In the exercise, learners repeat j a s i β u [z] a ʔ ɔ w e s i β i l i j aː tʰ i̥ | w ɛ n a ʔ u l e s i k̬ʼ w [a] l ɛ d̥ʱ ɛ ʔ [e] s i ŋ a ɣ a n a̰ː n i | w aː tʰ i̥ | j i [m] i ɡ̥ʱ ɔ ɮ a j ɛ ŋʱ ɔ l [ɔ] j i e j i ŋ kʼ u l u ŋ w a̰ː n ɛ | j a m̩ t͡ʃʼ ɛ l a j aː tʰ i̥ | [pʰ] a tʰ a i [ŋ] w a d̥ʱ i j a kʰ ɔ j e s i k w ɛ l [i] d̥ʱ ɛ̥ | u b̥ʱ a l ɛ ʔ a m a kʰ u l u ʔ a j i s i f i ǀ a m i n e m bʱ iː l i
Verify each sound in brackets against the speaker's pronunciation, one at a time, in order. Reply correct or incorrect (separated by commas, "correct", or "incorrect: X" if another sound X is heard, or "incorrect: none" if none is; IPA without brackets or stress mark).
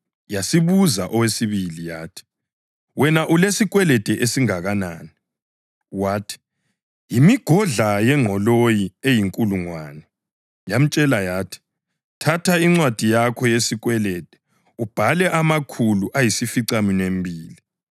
correct, incorrect: ɛ, correct, correct, incorrect: o, incorrect: tʰ, incorrect: ŋ͡ǀ, incorrect: ɛ